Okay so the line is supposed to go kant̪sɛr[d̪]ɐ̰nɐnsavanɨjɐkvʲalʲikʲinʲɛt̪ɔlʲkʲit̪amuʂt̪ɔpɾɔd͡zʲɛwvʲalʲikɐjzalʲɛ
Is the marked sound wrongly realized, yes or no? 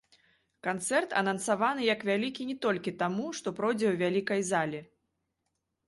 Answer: yes